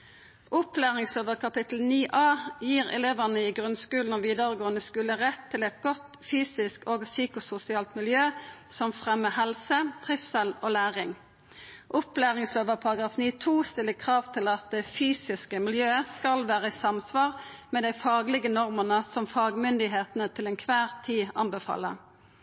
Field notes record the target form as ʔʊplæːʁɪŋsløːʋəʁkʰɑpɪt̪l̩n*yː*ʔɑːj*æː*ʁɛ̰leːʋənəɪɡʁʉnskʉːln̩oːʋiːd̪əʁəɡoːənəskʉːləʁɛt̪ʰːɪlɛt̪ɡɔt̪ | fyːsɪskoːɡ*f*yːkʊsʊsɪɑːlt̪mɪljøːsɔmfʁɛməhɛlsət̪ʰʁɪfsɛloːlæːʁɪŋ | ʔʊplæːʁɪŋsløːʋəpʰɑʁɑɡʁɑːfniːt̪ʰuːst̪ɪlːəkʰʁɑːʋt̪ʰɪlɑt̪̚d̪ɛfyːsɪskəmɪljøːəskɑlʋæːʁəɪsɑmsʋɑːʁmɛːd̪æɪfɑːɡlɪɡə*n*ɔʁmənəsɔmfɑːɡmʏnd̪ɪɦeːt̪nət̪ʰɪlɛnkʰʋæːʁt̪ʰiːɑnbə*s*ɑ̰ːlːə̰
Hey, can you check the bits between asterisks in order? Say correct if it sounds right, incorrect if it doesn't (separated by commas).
incorrect, incorrect, incorrect, correct, incorrect